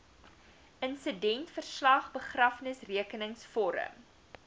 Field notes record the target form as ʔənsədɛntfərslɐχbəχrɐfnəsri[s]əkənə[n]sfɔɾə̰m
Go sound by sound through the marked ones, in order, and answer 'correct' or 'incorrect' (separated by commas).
incorrect, incorrect